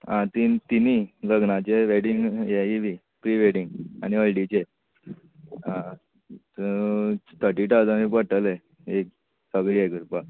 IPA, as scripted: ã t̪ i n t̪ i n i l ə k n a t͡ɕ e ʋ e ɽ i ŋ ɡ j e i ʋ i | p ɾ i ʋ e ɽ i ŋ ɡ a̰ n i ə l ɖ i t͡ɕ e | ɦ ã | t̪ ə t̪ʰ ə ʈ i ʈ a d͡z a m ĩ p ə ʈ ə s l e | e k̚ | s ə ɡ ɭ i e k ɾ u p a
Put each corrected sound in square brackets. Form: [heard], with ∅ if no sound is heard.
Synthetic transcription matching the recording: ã t̪ i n t̪ i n i l ə [ɡ] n a t͡ɕ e ʋ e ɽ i ŋ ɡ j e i ʋ i | p ɾ i ʋ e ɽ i ŋ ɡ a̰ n i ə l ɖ i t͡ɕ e | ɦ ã | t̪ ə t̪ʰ ə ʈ i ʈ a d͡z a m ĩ p ə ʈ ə [∅] l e | e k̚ | s ə ɡ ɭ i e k ɾ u p a